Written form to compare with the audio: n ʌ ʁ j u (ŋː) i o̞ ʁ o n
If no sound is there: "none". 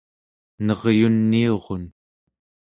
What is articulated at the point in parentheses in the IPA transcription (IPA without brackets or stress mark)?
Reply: nː